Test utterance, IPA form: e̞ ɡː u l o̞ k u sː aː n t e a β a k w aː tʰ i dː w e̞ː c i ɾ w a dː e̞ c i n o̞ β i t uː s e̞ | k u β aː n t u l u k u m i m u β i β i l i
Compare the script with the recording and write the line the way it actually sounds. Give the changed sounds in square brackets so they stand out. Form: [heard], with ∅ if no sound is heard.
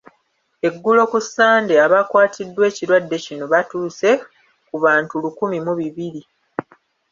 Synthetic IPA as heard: e̞ ɡː u l o̞ k u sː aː n [d] e a β a k w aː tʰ i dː w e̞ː c i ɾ w a dː e̞ c i n o̞ β [a] t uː s e̞ | k u β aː n t u l u k u m i m u β i β i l i